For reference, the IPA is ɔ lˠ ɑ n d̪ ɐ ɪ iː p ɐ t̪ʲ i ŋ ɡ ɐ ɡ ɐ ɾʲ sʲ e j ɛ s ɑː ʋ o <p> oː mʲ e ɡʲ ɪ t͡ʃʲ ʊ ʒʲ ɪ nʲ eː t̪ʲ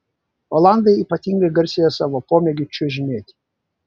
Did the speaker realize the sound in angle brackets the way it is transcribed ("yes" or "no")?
yes